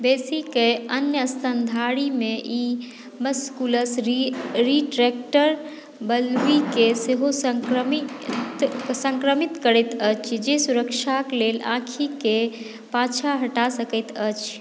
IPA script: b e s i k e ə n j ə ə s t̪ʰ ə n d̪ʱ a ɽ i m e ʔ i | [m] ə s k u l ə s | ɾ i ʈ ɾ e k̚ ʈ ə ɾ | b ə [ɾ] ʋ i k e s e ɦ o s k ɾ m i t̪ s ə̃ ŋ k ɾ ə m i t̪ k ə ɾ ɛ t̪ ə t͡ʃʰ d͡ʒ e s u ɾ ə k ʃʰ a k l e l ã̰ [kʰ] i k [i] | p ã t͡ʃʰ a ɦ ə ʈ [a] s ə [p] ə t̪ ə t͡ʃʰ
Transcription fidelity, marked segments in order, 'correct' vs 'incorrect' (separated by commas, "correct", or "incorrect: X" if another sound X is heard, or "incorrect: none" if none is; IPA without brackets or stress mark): correct, incorrect: l, correct, incorrect: e, correct, incorrect: k